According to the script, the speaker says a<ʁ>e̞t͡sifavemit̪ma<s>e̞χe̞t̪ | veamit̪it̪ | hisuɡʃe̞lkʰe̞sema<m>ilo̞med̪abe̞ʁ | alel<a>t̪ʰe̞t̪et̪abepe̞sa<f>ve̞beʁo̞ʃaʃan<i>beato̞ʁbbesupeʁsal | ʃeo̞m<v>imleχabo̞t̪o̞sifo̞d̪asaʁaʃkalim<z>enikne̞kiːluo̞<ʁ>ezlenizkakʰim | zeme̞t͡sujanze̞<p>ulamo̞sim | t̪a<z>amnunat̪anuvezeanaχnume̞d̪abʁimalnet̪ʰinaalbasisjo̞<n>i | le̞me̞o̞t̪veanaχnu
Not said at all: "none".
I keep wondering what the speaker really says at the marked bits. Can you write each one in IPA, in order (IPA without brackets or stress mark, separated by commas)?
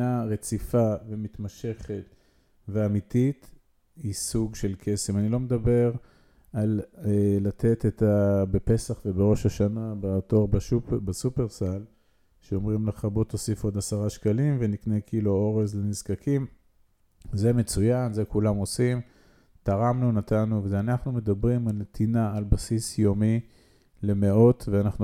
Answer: ʁ, ʃ, n, a, χ, a, ʁ, v, ʁ, k, ʁ, m